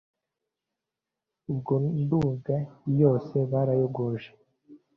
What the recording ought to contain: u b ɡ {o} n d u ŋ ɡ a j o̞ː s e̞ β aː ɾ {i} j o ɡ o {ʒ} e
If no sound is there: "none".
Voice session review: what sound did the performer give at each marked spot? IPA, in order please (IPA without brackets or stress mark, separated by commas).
o, a, ʒ